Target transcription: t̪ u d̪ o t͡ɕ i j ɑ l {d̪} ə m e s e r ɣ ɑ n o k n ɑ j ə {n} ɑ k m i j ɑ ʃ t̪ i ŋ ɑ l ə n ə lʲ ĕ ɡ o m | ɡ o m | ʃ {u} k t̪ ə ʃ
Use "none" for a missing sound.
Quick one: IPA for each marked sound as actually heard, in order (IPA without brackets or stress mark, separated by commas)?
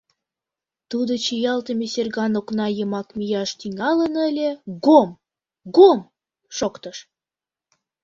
t̪, m, o